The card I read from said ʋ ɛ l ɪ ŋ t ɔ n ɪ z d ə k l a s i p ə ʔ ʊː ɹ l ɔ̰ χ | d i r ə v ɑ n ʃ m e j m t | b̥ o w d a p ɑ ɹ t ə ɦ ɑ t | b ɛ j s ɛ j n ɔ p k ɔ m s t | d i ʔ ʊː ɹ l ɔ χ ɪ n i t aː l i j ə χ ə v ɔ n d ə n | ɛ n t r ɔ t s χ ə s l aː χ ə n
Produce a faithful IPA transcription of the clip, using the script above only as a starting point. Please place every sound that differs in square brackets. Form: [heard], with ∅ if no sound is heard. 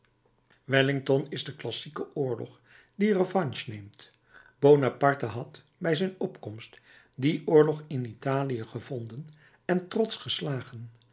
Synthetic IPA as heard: ʋ ɛ l ɪ ŋ t ɔ n ɪ z d ə k l [ɑ] s i [k] ə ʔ ʊː ɹ l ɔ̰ χ | d i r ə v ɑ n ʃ [n] e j m t | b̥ o w [n] a p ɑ ɹ t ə ɦ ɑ t | b ɛ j [z] ɛ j n ɔ p k ɔ m s t | d i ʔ ʊː ɹ l ɔ χ ɪ n i t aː l i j ə χ ə v ɔ n d ə n | ɛ n t r ɔ t s χ ə s l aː χ ə n